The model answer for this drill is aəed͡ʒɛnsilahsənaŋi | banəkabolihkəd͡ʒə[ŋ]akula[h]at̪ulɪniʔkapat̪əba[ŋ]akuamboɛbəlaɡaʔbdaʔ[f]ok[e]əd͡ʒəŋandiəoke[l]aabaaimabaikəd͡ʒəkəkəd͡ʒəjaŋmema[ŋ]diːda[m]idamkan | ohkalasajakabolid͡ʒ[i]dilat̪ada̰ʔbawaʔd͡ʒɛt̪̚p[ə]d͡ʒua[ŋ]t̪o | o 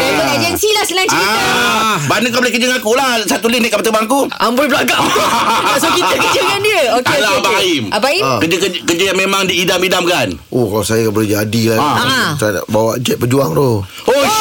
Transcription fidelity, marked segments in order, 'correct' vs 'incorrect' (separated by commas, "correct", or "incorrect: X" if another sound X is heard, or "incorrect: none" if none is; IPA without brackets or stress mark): correct, incorrect: s, correct, incorrect: s, incorrect: i, correct, correct, correct, incorrect: a, correct, correct